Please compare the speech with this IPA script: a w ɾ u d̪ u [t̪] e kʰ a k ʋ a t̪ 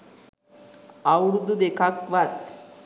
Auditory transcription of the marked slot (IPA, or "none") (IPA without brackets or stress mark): d̪